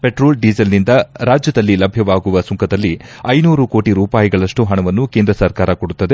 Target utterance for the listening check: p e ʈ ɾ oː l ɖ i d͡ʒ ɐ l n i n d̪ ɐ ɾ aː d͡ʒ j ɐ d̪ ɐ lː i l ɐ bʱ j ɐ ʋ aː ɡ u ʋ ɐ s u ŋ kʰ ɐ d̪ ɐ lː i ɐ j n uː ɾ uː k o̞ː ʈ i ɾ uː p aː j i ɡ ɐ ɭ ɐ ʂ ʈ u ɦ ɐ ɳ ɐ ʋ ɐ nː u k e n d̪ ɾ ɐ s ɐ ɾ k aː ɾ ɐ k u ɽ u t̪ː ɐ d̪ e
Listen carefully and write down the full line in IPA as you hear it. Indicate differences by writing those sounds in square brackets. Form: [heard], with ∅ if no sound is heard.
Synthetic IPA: p e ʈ ɾ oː l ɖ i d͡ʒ ɐ l n i n d̪ ɐ ɾ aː d͡ʒ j ɐ d̪ ɐ lː i l ɐ bʱ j ɐ ʋ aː ɡ u ʋ ɐ s u ŋ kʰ ɐ d̪ ɐ lː i ɐ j n uː ɾ [u] k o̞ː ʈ i ɾ uː p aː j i ɡ ɐ ɭ ɐ ʂ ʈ u ɦ ɐ ɳ ɐ ʋ ɐ nː u k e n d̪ ɾ ɐ s ɐ ɾ k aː ɾ ɐ k [o] ɽ u t̪ː ɐ d̪ e